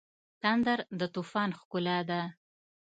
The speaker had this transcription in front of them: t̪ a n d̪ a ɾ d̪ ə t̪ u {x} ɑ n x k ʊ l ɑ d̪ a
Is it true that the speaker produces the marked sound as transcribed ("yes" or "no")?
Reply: no